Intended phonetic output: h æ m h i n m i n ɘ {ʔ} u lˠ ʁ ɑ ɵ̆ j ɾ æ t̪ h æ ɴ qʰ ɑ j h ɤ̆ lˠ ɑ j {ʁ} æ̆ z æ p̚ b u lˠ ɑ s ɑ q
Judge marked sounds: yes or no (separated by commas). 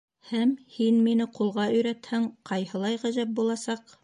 no, yes